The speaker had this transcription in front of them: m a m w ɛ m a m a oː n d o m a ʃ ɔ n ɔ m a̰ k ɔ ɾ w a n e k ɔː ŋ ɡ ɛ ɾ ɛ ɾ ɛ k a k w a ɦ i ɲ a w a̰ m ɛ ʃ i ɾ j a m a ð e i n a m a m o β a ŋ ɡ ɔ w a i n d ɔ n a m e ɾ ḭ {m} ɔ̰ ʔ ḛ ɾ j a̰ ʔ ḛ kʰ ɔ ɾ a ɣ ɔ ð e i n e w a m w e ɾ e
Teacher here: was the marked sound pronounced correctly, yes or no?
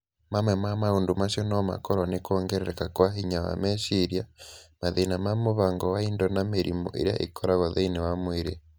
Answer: yes